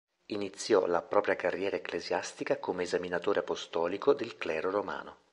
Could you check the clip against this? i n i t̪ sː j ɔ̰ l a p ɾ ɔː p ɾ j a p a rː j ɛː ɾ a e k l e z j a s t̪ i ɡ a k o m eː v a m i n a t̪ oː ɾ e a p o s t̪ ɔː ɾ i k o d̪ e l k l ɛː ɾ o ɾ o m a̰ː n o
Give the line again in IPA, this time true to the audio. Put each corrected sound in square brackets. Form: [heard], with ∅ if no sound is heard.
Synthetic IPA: i n i t̪ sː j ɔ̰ l a p ɾ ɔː p ɾ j a [k] a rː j ɛː ɾ a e k l e z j a s t̪ i [k] a k o m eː [z] a m i n a t̪ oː ɾ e a p o s t̪ ɔː [l] i k o d̪ e l k l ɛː ɾ o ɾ o m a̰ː n o